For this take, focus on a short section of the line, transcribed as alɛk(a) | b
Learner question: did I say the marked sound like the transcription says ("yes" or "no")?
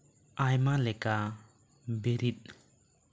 yes